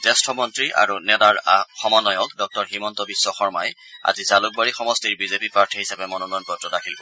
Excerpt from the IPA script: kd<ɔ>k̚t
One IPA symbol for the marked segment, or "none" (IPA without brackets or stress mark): ɔ